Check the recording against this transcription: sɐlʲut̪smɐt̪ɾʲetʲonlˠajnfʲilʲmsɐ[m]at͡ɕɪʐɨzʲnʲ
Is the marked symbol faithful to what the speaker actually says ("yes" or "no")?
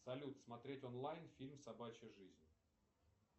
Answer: no